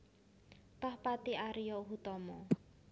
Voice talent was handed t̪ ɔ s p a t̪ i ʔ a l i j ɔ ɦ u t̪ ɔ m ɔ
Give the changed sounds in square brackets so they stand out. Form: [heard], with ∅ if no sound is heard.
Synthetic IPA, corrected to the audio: t̪ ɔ [h] p a t̪ i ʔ a [ɾ] i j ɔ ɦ u t̪ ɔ m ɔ